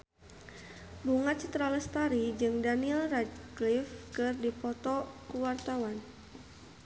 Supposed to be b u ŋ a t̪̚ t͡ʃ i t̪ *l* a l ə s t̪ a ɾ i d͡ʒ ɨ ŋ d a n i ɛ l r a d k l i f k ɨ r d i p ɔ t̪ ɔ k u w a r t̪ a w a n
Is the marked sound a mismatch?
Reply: yes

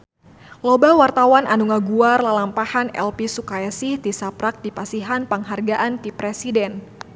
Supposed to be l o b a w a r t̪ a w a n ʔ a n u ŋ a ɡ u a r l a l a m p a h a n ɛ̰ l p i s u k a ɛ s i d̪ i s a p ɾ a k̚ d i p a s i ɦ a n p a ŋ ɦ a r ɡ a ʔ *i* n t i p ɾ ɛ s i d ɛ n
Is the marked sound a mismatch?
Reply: yes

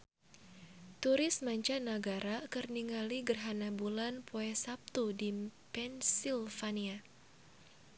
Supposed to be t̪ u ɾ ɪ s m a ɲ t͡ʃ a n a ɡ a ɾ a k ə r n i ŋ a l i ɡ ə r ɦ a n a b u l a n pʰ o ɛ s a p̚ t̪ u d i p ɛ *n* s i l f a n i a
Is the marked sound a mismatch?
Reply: no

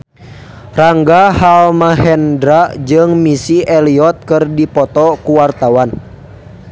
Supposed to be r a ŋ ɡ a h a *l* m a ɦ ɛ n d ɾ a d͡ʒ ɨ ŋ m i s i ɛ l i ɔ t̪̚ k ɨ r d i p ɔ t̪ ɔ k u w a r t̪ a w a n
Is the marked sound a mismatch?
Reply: no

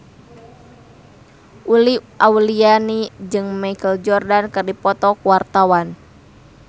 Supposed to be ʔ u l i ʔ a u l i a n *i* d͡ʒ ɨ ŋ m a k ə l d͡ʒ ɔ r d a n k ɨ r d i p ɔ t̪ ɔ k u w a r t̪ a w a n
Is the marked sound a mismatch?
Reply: no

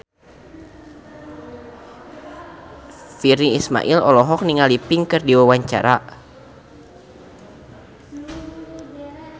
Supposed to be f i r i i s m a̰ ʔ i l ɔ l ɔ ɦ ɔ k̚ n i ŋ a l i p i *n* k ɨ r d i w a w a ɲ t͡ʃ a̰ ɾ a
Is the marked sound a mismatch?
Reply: yes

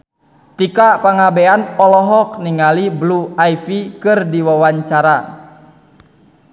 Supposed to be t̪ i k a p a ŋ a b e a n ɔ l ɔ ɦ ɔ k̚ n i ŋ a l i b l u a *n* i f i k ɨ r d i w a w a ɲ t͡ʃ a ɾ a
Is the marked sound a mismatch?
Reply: yes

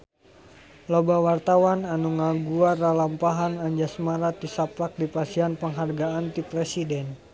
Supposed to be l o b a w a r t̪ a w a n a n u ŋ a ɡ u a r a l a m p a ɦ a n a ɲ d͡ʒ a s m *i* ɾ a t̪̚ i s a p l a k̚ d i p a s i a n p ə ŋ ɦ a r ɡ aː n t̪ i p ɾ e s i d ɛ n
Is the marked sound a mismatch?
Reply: yes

